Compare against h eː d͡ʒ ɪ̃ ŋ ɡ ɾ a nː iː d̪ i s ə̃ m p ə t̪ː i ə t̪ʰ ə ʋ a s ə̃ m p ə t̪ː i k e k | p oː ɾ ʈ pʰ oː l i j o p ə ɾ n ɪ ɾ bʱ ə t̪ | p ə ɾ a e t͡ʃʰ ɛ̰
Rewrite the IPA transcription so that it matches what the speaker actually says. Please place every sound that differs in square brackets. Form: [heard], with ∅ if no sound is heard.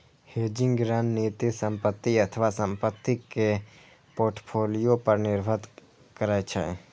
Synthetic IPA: h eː d͡ʒ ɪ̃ ŋ ɡ ɾ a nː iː [t̪] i s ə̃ m p ə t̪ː i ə t̪ʰ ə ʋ a s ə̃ m p ə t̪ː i k e [∅] | p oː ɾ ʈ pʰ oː l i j o p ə ɾ n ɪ ɾ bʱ ə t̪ | [k] ə ɾ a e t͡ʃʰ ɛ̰